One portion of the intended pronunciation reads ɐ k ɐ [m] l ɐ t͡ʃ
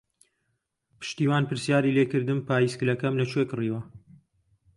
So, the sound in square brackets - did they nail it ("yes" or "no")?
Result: yes